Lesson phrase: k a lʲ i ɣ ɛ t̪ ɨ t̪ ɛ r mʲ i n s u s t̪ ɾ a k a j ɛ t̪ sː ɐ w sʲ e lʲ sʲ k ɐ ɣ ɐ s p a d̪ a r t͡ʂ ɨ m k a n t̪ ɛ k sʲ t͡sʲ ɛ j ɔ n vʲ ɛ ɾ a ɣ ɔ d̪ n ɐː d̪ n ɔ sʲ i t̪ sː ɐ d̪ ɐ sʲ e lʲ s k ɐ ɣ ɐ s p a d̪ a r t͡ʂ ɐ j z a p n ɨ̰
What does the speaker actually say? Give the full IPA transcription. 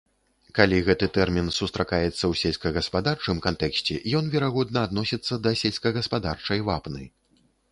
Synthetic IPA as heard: k a lʲ i ɣ ɛ t̪ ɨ t̪ ɛ r mʲ i n s u s t̪ ɾ a k a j ɛ t̪ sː ɐ w sʲ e lʲ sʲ k ɐ ɣ ɐ s p a d̪ a r t͡ʂ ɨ m k a n t̪ ɛ k sʲ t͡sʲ ɛ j ɔ n vʲ ɛ ɾ a ɣ ɔ d̪ n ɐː d̪ n ɔ sʲ i t̪ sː ɐ d̪ ɐ sʲ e lʲ s k ɐ ɣ ɐ s p a d̪ a r t͡ʂ ɐ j v a p n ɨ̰